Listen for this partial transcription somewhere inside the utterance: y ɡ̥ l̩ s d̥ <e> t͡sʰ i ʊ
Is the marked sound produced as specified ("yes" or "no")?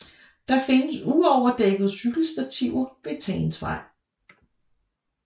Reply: no